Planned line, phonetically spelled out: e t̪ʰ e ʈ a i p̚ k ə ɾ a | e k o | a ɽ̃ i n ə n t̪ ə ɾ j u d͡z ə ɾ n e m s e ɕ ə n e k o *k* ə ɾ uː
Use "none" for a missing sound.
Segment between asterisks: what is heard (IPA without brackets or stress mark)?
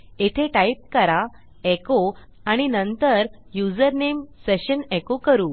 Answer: k